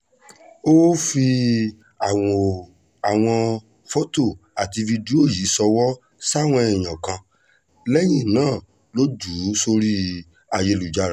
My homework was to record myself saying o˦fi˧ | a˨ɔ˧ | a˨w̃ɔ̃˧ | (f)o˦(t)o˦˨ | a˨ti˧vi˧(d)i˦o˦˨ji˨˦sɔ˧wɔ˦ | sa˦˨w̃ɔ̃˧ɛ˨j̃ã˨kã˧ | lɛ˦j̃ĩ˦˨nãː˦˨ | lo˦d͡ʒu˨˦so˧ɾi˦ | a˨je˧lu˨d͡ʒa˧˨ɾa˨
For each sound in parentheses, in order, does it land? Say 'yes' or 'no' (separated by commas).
yes, yes, yes